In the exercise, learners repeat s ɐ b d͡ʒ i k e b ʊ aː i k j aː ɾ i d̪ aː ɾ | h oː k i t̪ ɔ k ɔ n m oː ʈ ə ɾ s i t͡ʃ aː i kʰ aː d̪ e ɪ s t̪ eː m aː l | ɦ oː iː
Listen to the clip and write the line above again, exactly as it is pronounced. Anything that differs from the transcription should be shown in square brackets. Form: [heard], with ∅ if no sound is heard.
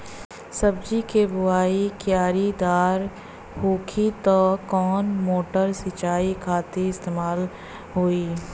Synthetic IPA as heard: s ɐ b d͡ʒ i k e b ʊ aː i k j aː ɾ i d̪ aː ɾ | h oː [kʰ] i t̪ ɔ k [ɔː] n m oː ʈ ə ɾ s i t͡ʃ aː i kʰ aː [t̪] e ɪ s t̪ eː m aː l | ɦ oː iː

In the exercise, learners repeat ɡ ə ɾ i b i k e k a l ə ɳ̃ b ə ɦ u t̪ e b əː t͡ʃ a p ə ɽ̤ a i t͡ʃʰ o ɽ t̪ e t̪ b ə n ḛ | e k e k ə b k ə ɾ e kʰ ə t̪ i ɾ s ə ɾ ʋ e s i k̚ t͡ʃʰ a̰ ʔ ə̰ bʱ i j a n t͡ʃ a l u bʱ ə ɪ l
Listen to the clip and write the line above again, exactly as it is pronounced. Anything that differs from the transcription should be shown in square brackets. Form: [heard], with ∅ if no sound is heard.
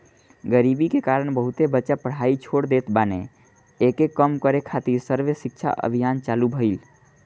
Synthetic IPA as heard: ɡ ə ɾ i b i k e k a [ɾ] ə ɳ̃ b ə ɦ u t̪ e b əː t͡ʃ a p ə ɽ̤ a i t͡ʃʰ o ɽ [d̪] e t̪ b [a] n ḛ | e k e k ə [m] k ə ɾ e kʰ [a] t̪ i ɾ s ə ɾ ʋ e s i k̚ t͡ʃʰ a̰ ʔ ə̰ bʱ i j a n t͡ʃ a l u bʱ ə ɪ l

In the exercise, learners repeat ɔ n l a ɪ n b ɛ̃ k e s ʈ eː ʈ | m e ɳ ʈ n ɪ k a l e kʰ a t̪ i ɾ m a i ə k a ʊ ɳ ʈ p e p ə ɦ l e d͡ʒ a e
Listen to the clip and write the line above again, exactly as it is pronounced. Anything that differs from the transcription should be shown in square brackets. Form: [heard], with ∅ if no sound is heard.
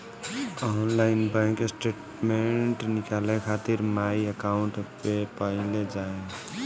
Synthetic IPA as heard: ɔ n l a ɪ n b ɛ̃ k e s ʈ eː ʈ | m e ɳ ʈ n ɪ k a l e kʰ a t̪ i ɾ m a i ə k a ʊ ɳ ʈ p e p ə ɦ l e d͡ʒ a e

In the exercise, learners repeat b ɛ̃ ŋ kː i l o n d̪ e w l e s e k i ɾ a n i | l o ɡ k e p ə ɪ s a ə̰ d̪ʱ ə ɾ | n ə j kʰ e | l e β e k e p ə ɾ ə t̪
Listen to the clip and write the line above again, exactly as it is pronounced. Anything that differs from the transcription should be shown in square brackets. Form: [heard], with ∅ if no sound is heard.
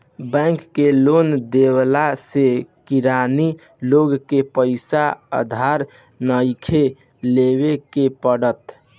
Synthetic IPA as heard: b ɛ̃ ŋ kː [e] l o n d̪ e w l [a] s e k i ɾ a n i | l o ɡ k e p ə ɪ s a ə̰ d̪ʱ [a] ɾ | n ə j kʰ e | l e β e k e p ə [ɽ] ə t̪

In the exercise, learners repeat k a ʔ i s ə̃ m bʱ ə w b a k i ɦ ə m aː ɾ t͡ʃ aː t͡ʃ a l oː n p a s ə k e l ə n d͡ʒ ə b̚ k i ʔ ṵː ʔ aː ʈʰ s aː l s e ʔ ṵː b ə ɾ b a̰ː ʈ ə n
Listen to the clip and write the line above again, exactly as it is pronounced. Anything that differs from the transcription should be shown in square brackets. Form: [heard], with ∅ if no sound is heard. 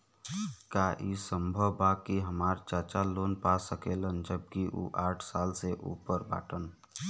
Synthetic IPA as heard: k a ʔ i s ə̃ m bʱ ə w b a k i ɦ ə m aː ɾ t͡ʃ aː t͡ʃ a l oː n p a s ə k e l ə n d͡ʒ ə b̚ k i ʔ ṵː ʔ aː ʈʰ s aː l s e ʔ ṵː [p] ə ɾ b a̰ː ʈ ə n

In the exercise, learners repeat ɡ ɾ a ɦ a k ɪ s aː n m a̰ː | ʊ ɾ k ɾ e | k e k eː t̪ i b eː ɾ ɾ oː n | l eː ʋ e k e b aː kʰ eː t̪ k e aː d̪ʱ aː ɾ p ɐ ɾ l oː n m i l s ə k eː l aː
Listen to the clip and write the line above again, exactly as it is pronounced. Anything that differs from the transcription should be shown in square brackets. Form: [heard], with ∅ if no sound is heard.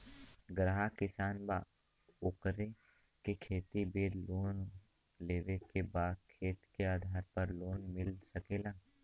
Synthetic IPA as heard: ɡ ɾ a ɦ a k ɪ s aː n [b] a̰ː | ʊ [∅] k ɾ e | k e [kʰ] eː t̪ i b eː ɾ [l] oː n | l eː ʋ e k e b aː kʰ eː t̪ k e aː d̪ʱ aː ɾ p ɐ ɾ l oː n m [ɪ] l s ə k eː l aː

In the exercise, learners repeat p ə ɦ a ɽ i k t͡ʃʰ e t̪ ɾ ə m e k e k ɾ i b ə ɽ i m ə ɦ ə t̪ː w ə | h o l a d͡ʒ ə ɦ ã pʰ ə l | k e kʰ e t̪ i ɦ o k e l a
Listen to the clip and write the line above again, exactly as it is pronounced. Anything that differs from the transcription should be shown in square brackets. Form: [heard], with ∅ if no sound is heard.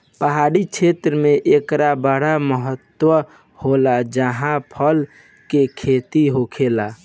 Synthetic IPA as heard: p ə ɦ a ɽ i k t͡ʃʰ e t̪ ɾ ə m e [ʔ] e k ɾ [a] b ə ɽ [a] m ə ɦ ə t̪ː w ə | h o l a d͡ʒ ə ɦ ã pʰ ə l | k e kʰ e t̪ i ɦ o [kʰ] e l a

